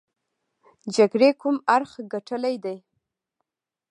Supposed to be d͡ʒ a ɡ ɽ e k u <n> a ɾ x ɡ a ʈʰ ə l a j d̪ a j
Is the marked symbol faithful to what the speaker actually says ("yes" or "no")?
no